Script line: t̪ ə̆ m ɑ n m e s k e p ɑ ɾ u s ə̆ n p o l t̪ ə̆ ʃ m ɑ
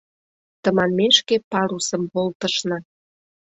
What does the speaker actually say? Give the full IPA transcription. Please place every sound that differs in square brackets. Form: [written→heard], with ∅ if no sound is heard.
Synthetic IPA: t̪ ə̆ m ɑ n m e [s→ʃ] k e p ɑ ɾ u s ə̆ [n→m] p o l t̪ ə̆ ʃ [m→n] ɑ